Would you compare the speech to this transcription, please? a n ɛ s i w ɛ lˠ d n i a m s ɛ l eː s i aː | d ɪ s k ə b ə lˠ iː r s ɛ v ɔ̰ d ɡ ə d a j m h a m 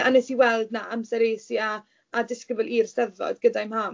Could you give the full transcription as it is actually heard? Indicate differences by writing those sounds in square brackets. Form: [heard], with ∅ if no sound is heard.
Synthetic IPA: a n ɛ s i w ɛ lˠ d n [a] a m s ɛ [ɾ] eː s i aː | d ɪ s k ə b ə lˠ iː r s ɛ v ɔ̰ d ɡ ə d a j m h a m